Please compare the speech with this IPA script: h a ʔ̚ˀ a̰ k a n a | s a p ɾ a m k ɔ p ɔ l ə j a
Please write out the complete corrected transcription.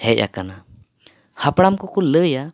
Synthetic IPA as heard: h ɛ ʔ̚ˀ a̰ k a n a | h a p ɽ a m k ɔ k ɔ l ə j a